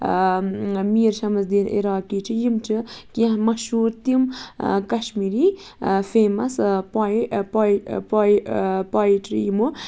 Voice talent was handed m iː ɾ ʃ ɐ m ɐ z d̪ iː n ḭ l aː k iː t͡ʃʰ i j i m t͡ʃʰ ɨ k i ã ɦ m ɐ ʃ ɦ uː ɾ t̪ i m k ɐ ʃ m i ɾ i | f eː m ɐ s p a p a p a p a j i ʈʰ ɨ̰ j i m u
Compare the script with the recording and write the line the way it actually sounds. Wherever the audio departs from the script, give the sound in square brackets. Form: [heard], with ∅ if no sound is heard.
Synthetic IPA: m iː ɾ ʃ ɐ m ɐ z d̪ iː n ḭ [ɾ] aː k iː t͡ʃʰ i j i m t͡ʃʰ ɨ k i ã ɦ m ɐ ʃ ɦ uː ɾ t̪ i m k ɐ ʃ m i ɾ i | f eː m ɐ s p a p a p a p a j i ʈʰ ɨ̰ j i m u